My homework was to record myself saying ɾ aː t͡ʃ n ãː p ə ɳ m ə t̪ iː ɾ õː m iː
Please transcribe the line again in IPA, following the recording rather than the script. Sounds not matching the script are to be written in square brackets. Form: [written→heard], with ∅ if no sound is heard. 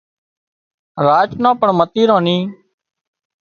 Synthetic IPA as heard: ɾ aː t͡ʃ n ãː p ə ɳ m ə t̪ iː ɾ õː [m→n] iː

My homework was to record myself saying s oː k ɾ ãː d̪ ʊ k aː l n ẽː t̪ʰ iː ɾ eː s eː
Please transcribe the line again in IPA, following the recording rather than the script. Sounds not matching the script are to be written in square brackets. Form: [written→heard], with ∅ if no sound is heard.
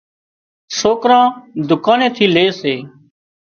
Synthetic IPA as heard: s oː k ɾ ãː d̪ ʊ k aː [l→∅] n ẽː t̪ʰ iː [ɾ→l] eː s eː

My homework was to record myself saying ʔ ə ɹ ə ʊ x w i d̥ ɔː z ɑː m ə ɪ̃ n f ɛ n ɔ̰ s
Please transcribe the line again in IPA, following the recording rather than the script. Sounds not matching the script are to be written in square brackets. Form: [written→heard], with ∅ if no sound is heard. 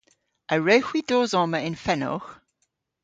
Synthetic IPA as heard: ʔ ə ɹ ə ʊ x w i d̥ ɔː z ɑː m ə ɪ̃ n f ɛ n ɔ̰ [s→x]

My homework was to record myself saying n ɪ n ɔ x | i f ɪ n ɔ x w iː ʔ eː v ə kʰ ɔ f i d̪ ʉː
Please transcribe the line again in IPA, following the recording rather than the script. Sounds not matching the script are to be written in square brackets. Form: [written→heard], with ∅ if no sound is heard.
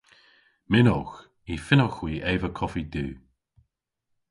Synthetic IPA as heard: [n→m] ɪ n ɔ x | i f ɪ n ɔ x w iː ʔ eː v ə kʰ ɔ f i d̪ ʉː

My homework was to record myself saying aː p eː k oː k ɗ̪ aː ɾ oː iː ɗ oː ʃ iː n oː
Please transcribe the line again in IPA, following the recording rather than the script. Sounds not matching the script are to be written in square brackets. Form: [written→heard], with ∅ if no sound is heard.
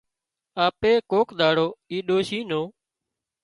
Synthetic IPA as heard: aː p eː k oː k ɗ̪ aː [ɾ→ɽ] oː iː ɗ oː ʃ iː n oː

